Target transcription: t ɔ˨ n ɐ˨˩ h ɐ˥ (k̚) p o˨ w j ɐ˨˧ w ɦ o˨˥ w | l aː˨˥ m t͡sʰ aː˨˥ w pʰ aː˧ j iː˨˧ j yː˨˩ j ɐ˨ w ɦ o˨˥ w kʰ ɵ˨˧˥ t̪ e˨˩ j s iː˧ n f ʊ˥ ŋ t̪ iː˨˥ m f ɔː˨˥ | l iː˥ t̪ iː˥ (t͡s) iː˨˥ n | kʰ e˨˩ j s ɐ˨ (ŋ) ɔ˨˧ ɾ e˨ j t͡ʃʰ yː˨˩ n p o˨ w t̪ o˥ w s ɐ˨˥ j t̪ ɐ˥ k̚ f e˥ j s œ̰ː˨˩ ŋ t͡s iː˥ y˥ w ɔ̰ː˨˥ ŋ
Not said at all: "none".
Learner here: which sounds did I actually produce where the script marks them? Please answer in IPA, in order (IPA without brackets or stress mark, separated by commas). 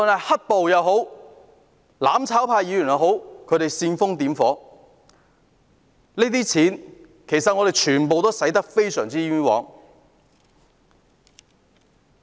t̚, t͡sʰ, ŋ